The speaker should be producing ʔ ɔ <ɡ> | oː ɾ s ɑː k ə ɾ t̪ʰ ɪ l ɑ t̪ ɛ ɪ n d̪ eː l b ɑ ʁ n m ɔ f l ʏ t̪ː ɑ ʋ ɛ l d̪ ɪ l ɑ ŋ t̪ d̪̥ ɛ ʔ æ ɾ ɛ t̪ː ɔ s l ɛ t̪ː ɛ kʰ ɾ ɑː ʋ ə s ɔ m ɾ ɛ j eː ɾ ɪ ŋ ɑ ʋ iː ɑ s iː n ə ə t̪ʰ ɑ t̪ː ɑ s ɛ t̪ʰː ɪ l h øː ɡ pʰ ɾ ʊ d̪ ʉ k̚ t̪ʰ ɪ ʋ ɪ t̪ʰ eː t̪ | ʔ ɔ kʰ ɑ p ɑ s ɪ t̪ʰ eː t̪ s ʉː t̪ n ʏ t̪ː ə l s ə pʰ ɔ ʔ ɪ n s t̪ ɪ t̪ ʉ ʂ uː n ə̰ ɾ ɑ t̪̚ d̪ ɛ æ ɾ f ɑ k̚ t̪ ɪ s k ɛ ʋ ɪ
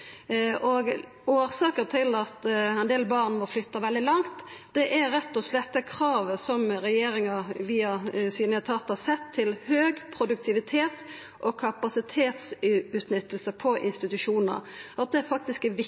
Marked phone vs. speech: correct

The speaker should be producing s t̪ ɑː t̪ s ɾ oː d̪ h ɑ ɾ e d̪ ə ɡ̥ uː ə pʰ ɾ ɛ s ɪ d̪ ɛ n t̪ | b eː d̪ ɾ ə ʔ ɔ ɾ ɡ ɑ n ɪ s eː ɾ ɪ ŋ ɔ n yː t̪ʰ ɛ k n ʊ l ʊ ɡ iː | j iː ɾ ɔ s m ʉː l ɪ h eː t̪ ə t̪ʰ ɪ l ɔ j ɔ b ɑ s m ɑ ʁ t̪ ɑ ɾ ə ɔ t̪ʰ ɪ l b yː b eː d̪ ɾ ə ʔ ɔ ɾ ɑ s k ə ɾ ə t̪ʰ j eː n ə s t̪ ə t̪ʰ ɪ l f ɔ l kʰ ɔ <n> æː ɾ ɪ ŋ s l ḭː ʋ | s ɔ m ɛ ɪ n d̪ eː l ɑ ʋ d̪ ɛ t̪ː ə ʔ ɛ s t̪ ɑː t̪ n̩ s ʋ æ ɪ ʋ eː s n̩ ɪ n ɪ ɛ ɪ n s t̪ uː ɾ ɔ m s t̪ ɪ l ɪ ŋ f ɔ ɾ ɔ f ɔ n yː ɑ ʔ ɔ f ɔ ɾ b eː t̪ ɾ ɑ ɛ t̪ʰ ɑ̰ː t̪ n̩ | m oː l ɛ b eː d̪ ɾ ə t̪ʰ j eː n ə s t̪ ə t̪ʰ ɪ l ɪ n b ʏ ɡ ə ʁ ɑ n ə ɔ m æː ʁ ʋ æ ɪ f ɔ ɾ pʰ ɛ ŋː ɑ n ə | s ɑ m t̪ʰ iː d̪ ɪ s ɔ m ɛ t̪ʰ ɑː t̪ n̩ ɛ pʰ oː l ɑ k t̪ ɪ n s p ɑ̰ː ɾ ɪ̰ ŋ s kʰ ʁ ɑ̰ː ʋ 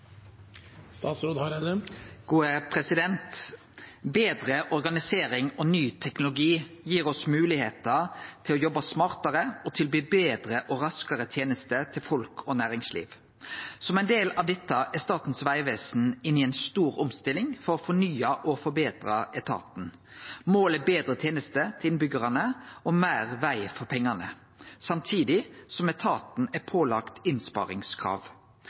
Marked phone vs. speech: correct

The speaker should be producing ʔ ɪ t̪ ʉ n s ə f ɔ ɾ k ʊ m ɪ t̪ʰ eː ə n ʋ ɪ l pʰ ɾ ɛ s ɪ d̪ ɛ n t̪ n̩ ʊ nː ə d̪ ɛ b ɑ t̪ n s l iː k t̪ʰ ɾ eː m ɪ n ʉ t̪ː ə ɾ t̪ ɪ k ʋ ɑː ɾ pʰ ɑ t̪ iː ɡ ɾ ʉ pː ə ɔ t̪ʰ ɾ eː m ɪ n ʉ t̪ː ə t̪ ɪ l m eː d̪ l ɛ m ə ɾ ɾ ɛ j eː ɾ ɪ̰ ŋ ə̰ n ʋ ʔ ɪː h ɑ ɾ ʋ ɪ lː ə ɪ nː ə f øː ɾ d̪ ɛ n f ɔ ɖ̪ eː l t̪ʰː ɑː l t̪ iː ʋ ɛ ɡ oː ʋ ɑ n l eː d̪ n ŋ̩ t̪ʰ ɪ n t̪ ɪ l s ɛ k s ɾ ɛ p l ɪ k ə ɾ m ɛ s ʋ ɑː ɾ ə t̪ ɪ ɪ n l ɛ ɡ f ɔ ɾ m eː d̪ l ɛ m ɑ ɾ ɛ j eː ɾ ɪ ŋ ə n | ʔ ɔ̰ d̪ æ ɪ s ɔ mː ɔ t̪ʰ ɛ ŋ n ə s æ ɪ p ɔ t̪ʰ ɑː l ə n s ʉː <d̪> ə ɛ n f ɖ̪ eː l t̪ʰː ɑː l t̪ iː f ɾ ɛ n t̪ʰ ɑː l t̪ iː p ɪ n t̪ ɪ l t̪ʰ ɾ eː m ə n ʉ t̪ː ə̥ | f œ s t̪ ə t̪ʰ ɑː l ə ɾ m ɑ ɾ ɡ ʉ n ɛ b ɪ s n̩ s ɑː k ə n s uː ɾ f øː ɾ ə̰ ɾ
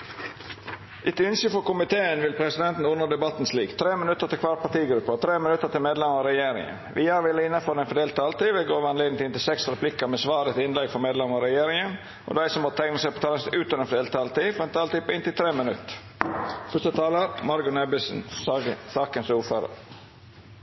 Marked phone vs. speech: incorrect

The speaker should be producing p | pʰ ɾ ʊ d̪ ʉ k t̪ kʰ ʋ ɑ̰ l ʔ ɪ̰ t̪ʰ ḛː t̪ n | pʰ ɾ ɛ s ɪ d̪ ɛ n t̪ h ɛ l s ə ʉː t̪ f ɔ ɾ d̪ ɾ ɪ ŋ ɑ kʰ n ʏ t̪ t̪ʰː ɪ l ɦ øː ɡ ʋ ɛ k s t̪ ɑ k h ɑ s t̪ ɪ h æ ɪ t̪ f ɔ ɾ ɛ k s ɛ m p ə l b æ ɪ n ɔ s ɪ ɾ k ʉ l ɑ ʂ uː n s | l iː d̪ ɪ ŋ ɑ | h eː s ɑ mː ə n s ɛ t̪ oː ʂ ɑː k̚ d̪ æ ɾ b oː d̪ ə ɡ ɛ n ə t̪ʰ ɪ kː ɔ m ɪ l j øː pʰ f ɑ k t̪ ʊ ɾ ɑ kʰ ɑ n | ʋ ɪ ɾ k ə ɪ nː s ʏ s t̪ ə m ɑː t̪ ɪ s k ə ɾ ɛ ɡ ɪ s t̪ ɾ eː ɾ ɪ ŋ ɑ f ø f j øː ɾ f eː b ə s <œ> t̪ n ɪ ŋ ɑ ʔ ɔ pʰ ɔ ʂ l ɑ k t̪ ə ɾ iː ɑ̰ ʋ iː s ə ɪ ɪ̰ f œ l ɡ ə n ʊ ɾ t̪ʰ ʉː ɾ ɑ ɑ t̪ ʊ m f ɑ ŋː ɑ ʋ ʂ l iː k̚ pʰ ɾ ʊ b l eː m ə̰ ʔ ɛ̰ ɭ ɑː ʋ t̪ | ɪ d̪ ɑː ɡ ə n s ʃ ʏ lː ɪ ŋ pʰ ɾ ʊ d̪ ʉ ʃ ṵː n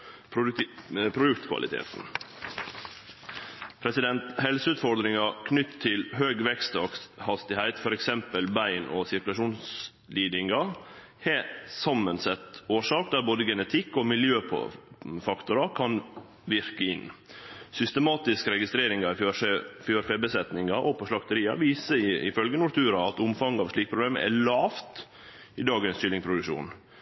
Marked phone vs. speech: incorrect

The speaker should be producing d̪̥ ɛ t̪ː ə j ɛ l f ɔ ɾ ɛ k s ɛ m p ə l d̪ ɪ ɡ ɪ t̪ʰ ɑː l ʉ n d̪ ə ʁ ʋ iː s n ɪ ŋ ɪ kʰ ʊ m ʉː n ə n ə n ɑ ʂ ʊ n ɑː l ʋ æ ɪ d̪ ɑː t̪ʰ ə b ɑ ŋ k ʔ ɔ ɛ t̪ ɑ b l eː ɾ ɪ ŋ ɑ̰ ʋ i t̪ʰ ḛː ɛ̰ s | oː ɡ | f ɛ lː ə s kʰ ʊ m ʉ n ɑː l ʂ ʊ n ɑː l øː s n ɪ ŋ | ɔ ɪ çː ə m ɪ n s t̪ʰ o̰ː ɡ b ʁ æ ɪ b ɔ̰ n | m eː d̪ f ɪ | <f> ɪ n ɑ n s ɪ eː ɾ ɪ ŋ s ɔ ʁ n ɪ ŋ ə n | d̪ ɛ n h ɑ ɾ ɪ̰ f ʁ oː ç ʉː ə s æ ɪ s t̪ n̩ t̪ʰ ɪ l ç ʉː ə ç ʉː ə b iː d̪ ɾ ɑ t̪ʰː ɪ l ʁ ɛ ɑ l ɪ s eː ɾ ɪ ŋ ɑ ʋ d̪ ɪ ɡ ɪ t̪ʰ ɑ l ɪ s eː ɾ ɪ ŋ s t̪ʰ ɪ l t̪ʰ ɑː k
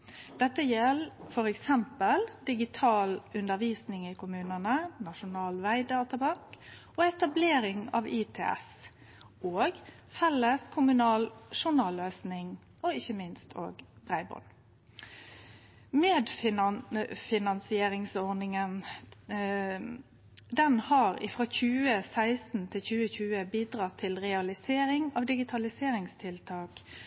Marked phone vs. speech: correct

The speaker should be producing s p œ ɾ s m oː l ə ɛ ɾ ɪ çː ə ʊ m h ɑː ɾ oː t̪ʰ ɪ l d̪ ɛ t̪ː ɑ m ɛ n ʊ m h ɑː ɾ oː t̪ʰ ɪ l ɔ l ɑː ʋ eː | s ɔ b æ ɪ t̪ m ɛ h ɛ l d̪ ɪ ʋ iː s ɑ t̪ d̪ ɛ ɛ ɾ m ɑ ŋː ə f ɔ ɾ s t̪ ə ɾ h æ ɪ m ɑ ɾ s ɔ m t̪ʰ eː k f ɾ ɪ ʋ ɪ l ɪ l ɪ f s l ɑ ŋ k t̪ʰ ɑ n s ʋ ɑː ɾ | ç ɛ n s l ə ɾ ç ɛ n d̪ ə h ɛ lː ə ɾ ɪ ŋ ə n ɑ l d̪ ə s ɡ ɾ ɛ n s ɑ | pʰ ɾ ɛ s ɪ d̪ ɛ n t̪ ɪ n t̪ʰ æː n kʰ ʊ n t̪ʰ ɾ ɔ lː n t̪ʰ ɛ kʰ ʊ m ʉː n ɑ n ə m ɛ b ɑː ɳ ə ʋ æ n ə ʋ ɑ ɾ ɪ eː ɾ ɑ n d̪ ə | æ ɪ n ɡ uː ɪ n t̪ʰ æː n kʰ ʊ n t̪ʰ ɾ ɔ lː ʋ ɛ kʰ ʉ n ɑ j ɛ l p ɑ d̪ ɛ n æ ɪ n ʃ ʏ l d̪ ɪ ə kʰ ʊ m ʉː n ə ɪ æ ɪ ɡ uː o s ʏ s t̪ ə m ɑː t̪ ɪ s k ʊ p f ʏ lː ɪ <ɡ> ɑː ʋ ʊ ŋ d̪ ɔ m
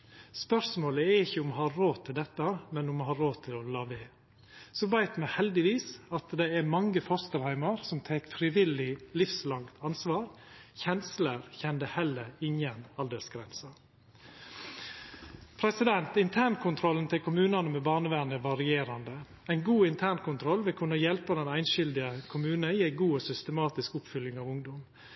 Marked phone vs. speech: incorrect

